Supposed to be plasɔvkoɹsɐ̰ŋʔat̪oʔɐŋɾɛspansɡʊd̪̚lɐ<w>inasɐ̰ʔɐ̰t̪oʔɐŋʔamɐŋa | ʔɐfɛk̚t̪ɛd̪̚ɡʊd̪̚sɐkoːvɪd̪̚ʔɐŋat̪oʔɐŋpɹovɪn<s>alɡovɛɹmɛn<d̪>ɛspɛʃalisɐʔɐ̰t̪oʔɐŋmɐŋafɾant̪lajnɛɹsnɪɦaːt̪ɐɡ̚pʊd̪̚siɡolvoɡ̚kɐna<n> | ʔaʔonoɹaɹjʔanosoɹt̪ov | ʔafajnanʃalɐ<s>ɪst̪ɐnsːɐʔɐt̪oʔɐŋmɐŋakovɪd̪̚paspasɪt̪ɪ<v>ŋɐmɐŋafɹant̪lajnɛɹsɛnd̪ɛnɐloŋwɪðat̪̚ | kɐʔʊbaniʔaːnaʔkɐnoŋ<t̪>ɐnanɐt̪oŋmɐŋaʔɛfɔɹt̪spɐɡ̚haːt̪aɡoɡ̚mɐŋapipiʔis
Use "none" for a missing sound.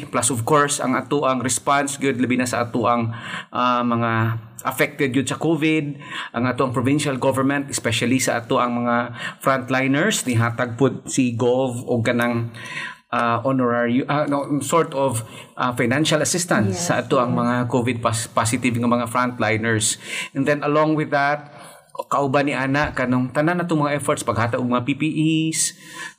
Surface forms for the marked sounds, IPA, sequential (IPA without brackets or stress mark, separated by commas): b, ʃ, t̪, ŋ, s, v, t̪